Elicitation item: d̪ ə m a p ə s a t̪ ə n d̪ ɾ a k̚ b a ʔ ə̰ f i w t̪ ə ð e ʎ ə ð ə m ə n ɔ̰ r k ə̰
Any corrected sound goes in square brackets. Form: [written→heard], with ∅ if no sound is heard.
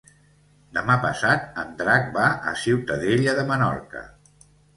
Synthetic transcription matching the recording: d̪ ə m a p ə s a t̪ ə n d̪ ɾ a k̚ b a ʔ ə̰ [f→s] i w t̪ ə ð e ʎ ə ð ə m ə n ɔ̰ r k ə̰